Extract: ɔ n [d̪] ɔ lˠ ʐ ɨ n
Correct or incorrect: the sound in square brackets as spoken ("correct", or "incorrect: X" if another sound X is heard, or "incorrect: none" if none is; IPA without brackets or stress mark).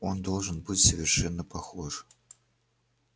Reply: correct